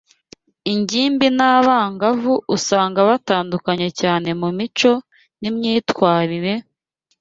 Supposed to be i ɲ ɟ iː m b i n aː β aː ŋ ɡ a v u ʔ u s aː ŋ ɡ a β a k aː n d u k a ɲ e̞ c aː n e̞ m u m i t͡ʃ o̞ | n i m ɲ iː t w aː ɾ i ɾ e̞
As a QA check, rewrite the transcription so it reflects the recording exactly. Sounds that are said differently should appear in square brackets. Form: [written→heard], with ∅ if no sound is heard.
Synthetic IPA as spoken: i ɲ ɟ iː m b i n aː β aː ŋ ɡ a v u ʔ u s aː ŋ ɡ a β a [k→t] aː n d u k a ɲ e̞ c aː n e̞ m u m i t͡ʃ o̞ | n i m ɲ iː t w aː ɾ i ɾ e̞